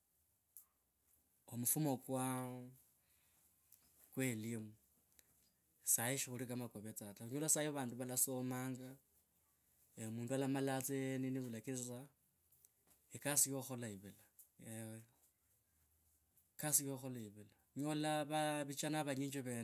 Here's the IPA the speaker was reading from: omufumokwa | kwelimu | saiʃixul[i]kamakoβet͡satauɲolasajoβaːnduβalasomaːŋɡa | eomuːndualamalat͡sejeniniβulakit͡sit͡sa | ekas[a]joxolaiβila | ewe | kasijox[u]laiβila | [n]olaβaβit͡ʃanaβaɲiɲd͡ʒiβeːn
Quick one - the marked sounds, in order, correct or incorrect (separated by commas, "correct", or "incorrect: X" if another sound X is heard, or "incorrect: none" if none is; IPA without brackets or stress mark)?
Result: correct, incorrect: i, incorrect: o, incorrect: ɲ